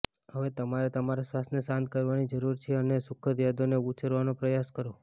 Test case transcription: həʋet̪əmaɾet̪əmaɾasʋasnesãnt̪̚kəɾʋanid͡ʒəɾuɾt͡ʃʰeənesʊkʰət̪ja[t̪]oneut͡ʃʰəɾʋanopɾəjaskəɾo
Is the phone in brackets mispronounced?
yes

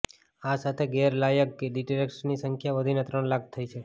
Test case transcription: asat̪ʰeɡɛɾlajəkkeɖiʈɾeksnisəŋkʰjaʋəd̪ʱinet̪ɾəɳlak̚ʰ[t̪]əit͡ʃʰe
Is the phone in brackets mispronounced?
yes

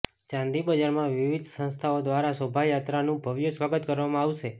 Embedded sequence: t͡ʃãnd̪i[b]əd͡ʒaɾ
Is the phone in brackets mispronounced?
no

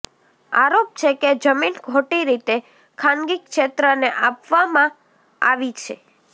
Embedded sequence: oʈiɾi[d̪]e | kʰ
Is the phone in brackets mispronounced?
yes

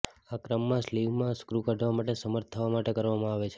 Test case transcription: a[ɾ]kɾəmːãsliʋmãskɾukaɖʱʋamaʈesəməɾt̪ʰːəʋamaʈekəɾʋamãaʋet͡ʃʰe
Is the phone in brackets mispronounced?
yes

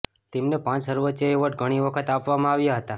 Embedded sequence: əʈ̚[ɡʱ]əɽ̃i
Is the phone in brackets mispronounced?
no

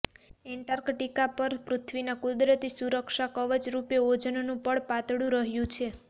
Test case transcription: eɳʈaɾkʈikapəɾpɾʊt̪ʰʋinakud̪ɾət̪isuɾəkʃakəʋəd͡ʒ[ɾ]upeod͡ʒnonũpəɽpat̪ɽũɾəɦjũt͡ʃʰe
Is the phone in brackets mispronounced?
no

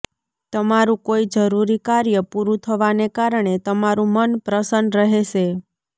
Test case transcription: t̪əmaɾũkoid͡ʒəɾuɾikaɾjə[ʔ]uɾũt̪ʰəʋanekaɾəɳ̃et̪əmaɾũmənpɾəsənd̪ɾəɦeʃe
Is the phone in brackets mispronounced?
yes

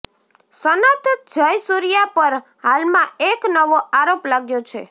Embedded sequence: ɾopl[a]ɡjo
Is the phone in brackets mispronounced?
no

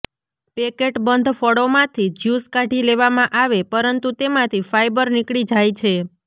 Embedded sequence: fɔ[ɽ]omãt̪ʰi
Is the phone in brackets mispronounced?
no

